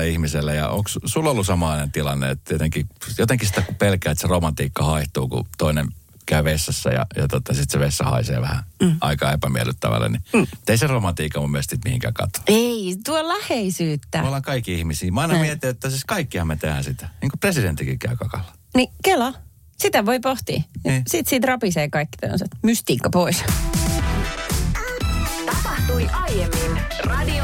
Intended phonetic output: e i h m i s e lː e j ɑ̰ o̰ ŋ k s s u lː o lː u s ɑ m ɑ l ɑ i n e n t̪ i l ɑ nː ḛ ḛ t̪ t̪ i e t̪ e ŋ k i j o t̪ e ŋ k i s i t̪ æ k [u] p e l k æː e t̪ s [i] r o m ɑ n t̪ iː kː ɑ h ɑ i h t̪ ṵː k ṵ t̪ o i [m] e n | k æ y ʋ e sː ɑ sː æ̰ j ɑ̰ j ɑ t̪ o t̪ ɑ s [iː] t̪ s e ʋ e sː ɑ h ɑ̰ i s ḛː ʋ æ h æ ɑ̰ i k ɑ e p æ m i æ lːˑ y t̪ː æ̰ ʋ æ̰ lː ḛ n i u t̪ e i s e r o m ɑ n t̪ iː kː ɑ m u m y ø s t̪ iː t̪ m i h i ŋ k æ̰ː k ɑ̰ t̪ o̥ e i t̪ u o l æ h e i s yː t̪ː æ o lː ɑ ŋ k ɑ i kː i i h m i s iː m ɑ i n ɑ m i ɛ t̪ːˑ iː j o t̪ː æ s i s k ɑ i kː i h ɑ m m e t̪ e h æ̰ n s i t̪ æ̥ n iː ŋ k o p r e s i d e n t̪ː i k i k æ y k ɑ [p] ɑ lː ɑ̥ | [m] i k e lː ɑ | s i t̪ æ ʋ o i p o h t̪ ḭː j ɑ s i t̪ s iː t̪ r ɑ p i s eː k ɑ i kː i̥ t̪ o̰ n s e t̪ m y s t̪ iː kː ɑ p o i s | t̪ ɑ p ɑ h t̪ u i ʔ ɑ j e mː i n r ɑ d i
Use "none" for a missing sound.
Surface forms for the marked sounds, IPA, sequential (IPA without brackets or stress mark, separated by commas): u, e, n, i, k, n